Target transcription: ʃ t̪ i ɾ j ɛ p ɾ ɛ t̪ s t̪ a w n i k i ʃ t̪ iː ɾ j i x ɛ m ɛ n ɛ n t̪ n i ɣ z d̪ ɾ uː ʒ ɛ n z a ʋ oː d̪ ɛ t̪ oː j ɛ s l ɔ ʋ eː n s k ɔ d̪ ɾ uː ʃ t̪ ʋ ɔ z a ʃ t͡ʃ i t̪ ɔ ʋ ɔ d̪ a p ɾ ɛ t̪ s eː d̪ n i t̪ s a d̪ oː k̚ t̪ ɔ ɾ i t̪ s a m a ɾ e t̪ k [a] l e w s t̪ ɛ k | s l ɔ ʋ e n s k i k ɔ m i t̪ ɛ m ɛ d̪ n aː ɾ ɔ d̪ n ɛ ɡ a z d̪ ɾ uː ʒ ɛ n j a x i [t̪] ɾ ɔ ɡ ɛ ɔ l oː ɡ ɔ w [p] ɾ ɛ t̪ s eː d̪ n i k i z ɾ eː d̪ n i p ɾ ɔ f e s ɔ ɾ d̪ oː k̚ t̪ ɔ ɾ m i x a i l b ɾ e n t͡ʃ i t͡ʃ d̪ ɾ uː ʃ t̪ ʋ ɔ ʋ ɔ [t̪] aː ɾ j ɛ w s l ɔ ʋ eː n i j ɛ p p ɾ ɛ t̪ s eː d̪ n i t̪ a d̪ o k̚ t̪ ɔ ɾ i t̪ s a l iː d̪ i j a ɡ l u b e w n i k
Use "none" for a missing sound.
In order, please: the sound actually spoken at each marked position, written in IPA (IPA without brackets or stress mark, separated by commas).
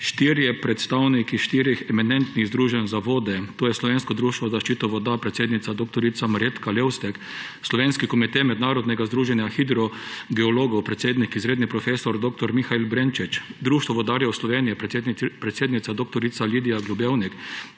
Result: a, d̪, p, d̪